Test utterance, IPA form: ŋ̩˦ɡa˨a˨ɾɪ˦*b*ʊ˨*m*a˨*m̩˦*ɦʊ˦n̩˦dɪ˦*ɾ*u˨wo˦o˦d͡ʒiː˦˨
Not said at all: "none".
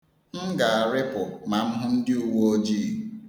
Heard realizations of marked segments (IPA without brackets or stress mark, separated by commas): p, m, m̩˦, none